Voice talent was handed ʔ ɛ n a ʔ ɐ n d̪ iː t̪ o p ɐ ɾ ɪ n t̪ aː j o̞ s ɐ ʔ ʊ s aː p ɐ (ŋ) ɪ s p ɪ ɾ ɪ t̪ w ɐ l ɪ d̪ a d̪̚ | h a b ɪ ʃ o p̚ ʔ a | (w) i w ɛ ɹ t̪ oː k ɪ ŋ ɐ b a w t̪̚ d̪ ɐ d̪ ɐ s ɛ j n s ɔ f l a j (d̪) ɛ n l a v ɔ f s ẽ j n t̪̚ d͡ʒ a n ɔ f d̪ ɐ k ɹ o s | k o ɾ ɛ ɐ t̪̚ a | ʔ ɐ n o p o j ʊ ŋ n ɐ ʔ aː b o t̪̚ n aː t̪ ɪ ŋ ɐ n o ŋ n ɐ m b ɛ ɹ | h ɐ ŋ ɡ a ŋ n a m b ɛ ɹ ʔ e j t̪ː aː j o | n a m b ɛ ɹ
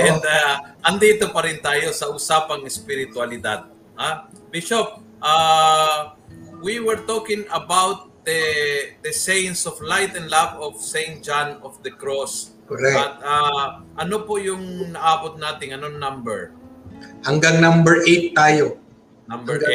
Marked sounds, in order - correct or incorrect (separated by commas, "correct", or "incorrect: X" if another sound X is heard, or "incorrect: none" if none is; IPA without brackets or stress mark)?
correct, correct, incorrect: t̪